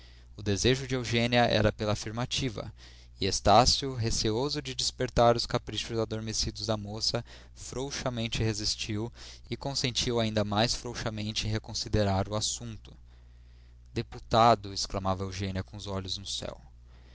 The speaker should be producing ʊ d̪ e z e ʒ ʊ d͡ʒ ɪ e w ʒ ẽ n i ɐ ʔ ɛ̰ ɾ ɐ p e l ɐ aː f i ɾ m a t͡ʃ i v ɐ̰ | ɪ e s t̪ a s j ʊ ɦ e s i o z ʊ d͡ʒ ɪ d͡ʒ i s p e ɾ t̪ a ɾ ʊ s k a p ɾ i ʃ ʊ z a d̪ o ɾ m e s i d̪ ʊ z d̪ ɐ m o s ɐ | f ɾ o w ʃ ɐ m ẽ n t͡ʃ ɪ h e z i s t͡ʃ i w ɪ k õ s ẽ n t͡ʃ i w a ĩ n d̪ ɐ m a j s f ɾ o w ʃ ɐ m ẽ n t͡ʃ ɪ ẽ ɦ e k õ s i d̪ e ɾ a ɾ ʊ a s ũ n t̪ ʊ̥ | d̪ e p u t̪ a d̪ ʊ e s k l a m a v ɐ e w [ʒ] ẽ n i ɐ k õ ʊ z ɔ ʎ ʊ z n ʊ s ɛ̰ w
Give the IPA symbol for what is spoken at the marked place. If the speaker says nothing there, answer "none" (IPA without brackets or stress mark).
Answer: ʒ